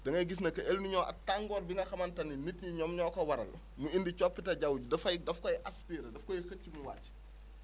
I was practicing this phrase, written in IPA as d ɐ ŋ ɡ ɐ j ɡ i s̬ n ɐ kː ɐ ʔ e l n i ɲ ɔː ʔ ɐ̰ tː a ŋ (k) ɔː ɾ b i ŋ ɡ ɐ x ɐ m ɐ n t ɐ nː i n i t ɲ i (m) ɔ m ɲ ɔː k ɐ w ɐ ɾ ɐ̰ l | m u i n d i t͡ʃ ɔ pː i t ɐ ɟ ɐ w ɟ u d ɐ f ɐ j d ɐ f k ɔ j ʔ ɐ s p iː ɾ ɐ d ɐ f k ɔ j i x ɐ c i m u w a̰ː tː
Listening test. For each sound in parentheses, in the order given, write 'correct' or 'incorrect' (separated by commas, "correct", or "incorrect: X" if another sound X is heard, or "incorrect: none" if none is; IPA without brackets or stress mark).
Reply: incorrect: ɡ, incorrect: ɲ